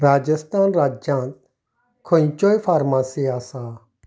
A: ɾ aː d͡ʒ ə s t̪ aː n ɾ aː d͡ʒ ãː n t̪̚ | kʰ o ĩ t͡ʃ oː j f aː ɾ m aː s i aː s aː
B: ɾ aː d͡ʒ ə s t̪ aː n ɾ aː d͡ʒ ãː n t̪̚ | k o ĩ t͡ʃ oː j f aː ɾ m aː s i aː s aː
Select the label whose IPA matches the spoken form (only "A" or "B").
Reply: A